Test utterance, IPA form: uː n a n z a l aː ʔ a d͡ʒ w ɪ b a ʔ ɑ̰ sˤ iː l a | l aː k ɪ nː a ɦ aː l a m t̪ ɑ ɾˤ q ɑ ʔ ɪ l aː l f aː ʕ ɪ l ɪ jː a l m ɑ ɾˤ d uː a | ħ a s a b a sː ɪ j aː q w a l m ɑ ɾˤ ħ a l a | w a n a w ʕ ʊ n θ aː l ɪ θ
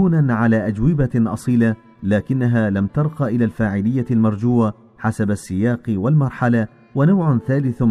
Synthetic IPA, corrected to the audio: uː n a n ʕ a l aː ʔ a d͡ʒ w ɪ b a ʔ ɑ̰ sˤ iː l a | l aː k ɪ nː a ɦ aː l a m t̪ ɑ ɾˤ q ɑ ʔ ɪ l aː l f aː ʕ ɪ l ɪ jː a l m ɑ ɾˤ d͡ʒ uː a | ħ a s a b a sː ɪ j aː q w a l m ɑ ɾˤ ħ a l a | w a n a w ʕ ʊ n θ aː l ɪ θ